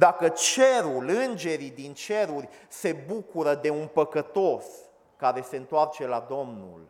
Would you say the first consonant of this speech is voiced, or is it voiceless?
voiced